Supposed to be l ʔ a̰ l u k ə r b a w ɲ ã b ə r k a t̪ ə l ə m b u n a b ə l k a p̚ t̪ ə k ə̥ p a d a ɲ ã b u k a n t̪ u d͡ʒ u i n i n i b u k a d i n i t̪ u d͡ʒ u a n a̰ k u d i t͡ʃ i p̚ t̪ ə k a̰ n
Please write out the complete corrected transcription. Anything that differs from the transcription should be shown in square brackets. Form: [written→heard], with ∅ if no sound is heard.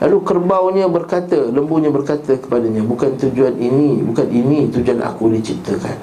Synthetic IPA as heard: l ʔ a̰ l u k ə r b a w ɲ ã b ə r k a t̪ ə l ə m b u [n→ɲ] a b ə [l→r] k a [p̚→∅] t̪ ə k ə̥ p a d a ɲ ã b u k a n t̪ u d͡ʒ u [i→a] n i n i b u k a [d→n] i n i t̪ u d͡ʒ u a n a̰ k u d i t͡ʃ i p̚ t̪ ə k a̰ n